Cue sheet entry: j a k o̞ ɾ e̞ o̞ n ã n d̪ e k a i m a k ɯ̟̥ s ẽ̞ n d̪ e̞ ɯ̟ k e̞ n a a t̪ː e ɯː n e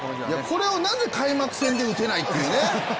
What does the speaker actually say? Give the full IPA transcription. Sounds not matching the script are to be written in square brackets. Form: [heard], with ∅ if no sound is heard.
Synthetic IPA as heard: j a k o̞ ɾ e̞ o̞ n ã n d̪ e k a i m a k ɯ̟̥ s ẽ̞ n d̪ e̞ ɯ̟ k e̞ n a [i] t̪ː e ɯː n e